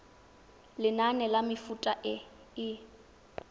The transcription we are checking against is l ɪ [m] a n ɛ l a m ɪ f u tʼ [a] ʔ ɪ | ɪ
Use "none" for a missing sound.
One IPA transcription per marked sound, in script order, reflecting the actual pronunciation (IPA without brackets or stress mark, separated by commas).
n, a